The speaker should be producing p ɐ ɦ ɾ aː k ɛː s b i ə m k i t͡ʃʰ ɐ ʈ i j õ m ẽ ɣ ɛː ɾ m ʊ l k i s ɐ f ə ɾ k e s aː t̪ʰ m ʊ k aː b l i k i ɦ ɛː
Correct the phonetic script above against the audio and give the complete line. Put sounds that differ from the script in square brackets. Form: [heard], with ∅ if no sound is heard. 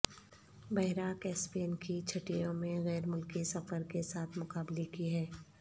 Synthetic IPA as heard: [b] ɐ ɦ ɾ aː k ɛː s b i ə [n] k i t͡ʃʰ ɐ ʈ i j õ m ẽ ɣ ɛː ɾ m ʊ l k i s ɐ f ə ɾ k e s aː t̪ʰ m ʊ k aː b l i k i ɦ ɛː